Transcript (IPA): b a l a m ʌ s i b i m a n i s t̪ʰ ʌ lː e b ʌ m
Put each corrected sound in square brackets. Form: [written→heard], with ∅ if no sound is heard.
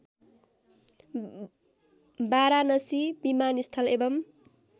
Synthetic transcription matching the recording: b a [l→ɾ] a [m→n] ʌ s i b i m a n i s t̪ʰ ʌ [lː→l] e b ʌ m

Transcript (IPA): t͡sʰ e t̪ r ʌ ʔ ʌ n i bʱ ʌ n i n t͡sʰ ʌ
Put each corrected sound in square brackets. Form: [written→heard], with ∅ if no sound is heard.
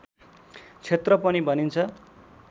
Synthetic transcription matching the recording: t͡sʰ e t̪ r ʌ [ʔ→p] ʌ n i bʱ ʌ n i n t͡sʰ ʌ

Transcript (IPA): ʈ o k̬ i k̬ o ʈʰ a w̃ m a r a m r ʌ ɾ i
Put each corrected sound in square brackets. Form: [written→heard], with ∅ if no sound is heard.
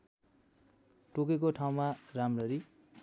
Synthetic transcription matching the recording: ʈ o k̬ [i→e] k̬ o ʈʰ a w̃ m a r a m r ʌ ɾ i

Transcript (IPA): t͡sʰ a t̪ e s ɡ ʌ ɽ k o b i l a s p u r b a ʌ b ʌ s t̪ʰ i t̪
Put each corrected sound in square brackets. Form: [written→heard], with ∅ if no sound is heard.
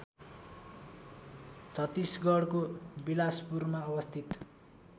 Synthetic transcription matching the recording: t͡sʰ [a→ʌ] t̪ [e→i] s ɡ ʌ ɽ k o b i l a s p u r [b→m] a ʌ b ʌ s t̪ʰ i t̪

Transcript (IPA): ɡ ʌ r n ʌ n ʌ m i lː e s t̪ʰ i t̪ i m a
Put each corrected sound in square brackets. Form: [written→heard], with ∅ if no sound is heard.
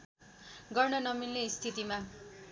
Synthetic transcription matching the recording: ɡ ʌ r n ʌ n ʌ m i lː e s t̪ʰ i t̪ i m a

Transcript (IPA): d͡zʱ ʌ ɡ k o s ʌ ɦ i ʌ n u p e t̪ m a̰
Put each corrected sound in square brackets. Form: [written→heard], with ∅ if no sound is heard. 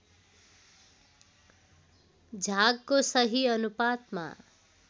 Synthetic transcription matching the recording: d͡zʱ [ʌ→a] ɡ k o s ʌ ɦ i ʌ n u p [e→a] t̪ m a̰

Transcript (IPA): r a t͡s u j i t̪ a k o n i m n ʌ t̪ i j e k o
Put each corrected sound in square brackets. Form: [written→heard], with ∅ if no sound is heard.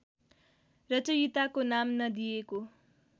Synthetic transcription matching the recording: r [a→ʌ] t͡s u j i t̪ a k o n [i→a] m n ʌ [t̪→d̪] i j e k o

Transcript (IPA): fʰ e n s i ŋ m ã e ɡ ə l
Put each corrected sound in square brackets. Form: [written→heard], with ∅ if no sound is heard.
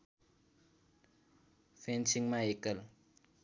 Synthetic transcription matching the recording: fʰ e n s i ŋ m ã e [ɡ→k] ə l

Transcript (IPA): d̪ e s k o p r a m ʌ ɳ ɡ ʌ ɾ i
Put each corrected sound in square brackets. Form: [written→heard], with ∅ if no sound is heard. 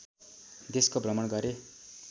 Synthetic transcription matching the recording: d̪ e s k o [p→b] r [a→ʌ] m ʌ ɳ ɡ ʌ ɾ [i→e]

